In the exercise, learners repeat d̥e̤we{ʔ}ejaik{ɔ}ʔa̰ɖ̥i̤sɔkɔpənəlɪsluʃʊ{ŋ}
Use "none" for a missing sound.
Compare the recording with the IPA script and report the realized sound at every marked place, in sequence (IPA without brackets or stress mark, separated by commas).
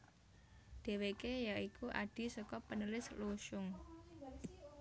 k, u, ŋ